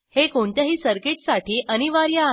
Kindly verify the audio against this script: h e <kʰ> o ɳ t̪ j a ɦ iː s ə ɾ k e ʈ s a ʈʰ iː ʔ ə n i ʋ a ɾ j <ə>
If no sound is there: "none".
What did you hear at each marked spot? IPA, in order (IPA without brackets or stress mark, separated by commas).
k, a